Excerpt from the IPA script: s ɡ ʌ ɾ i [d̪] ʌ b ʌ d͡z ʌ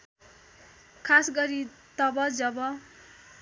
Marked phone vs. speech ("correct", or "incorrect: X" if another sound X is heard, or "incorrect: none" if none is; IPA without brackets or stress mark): incorrect: t̪